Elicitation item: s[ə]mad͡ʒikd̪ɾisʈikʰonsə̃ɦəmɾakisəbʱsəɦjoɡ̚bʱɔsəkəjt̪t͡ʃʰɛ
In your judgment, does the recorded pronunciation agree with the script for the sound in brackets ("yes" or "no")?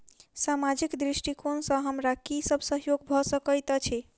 no